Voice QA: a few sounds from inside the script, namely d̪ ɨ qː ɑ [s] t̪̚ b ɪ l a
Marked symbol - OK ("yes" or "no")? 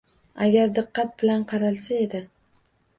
no